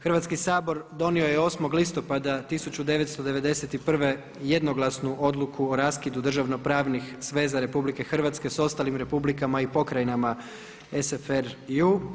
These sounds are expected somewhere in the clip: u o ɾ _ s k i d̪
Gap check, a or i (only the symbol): a